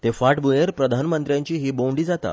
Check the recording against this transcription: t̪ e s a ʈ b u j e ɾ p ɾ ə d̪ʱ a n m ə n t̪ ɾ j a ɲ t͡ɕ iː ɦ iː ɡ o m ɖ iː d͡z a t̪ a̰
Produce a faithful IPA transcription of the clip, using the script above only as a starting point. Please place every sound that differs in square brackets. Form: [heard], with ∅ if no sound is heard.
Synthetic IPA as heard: t̪ e [f] a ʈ b u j e ɾ p ɾ ə d̪ʱ a n m ə n t̪ ɾ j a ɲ t͡ɕ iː ɦ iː [b] o [ɳ] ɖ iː d͡z a t̪ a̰